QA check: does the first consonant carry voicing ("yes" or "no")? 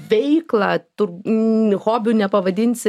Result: yes